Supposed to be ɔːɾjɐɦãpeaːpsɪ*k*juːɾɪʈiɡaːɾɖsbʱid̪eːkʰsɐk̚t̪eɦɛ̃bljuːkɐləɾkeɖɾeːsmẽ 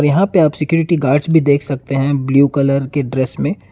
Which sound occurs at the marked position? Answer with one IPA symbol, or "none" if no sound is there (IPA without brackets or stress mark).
k